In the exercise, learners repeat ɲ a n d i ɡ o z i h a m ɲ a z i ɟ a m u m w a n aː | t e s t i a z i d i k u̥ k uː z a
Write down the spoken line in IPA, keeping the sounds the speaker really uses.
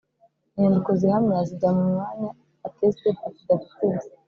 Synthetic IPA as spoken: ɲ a n d i k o z i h a m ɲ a z i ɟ a m u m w a ɲ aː | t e s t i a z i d a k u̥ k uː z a